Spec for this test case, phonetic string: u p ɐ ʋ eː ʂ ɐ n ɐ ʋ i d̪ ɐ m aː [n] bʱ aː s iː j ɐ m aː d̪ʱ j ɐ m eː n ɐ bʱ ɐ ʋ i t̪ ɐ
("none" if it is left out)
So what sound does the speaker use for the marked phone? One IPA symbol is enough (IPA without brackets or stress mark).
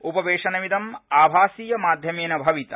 none